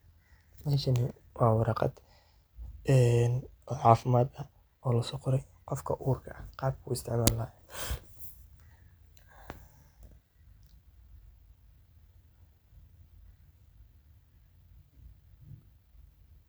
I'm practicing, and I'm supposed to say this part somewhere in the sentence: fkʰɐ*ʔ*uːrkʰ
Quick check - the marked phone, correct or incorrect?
correct